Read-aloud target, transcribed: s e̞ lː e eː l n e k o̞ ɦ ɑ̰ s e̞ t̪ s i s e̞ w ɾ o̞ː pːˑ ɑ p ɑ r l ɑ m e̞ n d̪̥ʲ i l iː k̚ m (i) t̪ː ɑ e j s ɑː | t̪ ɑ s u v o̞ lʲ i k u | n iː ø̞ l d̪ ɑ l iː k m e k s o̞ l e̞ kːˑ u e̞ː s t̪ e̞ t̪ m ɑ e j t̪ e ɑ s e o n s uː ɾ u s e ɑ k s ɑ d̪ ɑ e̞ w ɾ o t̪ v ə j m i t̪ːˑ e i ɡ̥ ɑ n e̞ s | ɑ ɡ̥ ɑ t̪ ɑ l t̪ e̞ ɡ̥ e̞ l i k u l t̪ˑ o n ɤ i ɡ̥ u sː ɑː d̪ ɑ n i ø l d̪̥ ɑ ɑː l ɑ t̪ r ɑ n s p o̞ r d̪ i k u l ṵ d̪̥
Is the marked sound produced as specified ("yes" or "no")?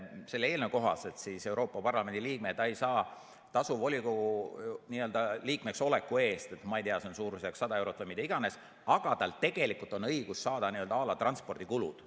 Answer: no